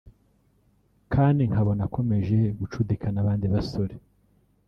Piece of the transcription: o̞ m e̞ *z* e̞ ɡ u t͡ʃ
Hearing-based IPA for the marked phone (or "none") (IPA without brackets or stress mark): ʒ